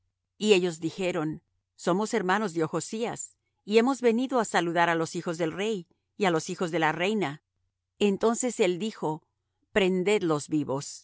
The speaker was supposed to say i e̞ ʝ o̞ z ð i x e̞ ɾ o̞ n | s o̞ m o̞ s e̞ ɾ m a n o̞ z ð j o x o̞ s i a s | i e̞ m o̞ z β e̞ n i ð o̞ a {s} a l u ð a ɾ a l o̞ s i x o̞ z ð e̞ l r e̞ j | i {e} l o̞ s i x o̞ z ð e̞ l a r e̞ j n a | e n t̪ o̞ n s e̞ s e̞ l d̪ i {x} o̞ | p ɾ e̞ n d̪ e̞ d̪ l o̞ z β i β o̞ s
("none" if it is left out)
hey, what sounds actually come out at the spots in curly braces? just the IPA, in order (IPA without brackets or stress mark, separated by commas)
s, a, x